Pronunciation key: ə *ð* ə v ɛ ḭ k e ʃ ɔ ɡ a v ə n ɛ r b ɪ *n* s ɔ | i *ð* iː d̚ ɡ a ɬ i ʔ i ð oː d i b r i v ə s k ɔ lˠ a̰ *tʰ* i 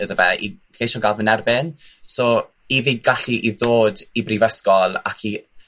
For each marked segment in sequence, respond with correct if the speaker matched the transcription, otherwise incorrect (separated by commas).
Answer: correct, correct, incorrect, incorrect